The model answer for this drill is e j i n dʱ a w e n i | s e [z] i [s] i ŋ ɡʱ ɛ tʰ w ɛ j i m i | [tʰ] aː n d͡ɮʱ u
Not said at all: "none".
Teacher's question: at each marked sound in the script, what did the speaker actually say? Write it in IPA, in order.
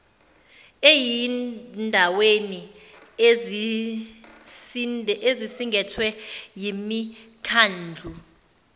z, s, kʰ

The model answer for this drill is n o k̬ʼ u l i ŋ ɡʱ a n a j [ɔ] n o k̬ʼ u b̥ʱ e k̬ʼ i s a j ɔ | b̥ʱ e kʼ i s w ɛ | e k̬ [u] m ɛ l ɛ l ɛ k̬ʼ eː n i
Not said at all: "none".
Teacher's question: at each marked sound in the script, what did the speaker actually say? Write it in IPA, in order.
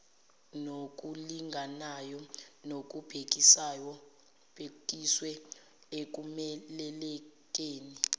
ɔ, u

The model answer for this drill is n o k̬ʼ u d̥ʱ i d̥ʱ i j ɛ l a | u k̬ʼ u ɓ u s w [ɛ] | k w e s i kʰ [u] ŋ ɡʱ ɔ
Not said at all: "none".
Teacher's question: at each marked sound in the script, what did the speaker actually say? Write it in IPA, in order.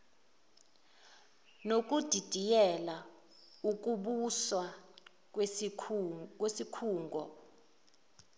a, uː

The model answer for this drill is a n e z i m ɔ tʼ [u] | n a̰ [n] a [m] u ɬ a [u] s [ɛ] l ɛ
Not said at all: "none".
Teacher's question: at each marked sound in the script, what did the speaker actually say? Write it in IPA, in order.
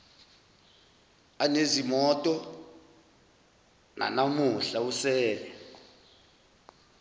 ɔ, n, m, u, ɛː

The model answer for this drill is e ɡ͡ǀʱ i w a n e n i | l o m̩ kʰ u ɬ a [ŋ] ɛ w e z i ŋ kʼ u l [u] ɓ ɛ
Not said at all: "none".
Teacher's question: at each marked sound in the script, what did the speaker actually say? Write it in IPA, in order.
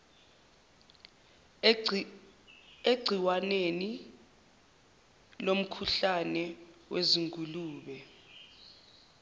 n, uː

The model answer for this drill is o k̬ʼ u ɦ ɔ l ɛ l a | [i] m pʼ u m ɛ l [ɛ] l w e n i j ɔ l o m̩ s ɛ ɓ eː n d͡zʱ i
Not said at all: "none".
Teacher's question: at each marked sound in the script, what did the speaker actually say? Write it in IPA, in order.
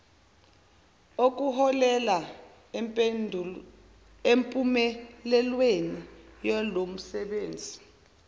e, ɛ

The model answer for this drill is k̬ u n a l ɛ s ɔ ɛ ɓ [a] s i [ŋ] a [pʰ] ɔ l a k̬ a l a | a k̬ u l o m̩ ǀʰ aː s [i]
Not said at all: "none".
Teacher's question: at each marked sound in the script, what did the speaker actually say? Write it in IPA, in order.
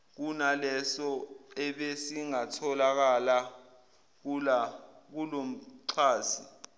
e, ŋ, tʰ, i

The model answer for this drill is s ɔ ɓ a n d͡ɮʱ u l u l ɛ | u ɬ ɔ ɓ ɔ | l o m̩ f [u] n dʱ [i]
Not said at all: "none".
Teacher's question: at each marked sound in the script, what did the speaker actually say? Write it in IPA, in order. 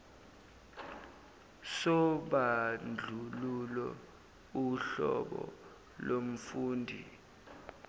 uː, i

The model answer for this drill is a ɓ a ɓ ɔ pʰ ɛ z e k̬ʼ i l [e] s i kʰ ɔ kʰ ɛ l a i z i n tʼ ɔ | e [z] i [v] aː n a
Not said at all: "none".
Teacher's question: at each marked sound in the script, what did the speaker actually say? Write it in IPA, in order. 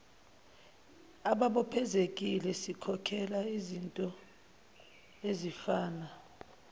ɛ, z, f

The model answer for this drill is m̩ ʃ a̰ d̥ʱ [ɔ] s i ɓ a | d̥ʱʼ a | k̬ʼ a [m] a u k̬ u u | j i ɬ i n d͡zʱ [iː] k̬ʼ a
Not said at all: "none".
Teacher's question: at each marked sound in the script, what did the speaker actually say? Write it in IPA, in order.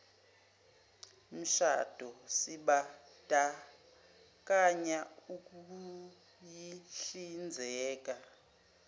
ɔ, ɲ, ɛː

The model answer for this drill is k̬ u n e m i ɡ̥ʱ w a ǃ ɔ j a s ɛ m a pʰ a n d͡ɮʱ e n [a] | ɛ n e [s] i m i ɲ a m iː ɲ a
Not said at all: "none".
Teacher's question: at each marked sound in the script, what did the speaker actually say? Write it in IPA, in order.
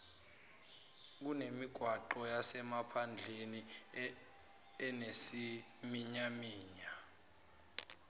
i, s

